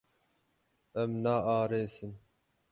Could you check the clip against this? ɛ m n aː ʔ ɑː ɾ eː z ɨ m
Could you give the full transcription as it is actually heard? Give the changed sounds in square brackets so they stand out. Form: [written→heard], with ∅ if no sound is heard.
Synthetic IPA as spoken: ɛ m n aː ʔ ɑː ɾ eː [z→s] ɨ [m→n]